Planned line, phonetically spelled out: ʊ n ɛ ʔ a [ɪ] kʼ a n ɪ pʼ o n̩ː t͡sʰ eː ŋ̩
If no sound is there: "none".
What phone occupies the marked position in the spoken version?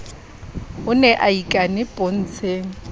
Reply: i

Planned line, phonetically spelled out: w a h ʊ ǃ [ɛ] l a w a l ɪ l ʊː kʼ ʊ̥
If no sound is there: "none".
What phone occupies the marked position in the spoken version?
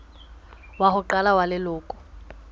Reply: a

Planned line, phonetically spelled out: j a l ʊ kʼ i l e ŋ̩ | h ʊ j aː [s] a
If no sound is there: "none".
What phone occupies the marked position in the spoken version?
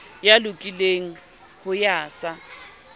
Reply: s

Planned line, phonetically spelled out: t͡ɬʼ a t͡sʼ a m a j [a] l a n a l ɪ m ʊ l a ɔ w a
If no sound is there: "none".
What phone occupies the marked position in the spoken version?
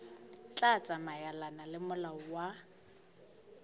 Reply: a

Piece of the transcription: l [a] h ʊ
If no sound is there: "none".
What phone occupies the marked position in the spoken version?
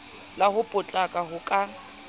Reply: a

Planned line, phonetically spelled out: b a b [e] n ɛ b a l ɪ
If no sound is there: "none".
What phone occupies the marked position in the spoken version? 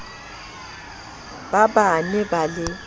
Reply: a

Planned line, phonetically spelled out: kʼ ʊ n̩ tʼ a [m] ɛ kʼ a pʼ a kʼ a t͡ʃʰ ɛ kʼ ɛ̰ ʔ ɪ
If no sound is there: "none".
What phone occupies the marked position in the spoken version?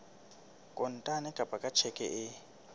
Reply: n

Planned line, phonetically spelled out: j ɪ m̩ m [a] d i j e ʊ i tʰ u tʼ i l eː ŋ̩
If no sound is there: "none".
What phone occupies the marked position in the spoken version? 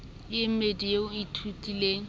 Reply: e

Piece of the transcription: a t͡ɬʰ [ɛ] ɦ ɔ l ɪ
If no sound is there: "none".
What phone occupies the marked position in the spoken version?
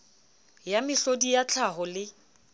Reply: a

